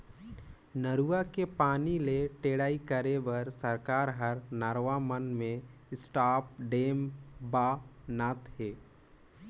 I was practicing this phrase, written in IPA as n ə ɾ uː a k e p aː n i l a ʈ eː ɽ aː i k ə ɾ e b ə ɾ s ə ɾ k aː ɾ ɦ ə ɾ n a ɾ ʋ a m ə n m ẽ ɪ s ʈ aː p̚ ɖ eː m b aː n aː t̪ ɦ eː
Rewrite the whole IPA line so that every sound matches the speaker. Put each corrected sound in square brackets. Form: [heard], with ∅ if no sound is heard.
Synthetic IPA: n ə ɾ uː a k e p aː n i l [e] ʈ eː ɽ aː i k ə ɾ e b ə ɾ s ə ɾ k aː ɾ ɦ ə ɾ n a ɾ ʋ a m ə n m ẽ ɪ s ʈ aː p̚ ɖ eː m b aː n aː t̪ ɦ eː